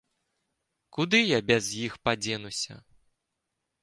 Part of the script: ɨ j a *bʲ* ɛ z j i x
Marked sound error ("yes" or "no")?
no